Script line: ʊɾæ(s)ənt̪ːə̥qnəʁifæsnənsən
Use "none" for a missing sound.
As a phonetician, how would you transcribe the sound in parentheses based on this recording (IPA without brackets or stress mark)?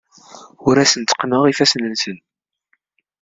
s